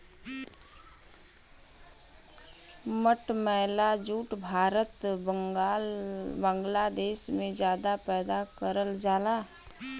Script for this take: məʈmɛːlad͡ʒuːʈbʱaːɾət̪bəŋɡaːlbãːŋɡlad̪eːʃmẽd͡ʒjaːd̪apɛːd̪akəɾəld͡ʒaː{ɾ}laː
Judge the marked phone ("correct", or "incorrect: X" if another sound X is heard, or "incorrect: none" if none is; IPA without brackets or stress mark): incorrect: none